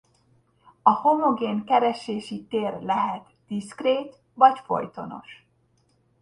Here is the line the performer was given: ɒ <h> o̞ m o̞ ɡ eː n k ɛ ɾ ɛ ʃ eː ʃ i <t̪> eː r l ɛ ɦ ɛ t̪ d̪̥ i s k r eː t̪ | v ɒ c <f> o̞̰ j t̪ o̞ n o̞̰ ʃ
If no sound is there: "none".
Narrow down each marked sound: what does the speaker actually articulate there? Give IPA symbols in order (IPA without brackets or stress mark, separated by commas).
h, t̪, f